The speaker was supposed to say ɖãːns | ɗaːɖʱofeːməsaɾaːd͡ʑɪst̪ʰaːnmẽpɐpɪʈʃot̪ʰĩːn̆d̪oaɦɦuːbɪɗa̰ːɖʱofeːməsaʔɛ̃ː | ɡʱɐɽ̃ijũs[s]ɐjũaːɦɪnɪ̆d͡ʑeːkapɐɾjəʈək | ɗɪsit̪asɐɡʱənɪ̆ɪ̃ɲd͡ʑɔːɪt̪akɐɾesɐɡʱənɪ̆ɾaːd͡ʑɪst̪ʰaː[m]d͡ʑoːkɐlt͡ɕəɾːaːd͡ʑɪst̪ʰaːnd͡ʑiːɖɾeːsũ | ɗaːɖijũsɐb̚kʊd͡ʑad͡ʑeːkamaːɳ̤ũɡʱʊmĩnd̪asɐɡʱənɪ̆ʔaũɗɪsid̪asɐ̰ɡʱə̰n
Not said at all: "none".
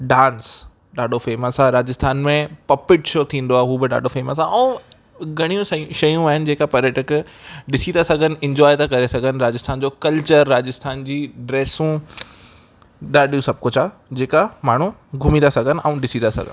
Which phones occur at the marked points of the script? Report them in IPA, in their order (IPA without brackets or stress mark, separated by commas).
ʃ, n